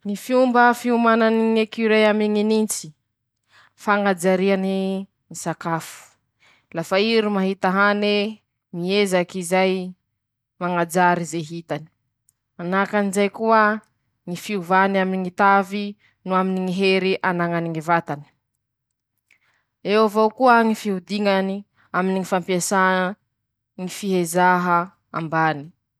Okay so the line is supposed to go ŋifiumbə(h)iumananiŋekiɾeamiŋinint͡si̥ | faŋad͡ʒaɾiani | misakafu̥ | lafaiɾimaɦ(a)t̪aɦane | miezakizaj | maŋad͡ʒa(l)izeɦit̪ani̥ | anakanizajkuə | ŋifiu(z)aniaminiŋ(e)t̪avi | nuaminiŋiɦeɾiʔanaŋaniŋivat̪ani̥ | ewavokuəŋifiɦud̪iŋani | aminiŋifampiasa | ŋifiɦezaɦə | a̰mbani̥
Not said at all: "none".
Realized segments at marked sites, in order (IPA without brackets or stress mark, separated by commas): f, i, ɾ, v, i